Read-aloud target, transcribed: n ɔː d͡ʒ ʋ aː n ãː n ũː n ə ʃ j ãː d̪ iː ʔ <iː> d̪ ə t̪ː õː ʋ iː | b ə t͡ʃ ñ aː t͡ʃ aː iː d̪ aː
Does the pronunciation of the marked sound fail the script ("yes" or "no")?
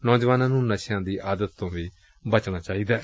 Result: yes